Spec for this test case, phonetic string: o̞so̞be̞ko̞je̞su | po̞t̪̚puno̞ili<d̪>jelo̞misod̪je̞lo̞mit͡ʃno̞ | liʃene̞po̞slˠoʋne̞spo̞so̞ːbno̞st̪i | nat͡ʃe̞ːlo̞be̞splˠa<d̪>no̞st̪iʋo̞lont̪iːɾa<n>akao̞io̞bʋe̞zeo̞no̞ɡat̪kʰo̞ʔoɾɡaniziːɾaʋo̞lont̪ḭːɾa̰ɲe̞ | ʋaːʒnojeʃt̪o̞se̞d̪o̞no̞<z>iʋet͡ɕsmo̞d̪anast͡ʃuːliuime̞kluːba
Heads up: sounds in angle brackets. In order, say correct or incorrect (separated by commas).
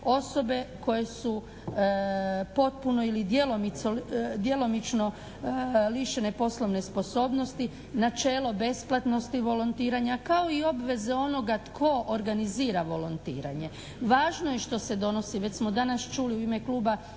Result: correct, incorrect, incorrect, incorrect